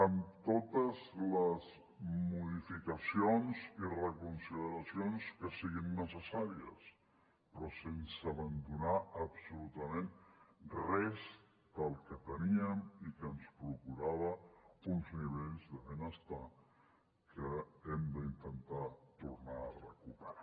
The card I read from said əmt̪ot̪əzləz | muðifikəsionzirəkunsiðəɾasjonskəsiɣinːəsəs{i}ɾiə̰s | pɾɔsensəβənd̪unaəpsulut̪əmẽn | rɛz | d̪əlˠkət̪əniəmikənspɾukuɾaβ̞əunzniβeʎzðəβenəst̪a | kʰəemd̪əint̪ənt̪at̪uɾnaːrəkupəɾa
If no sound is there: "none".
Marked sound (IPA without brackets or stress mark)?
a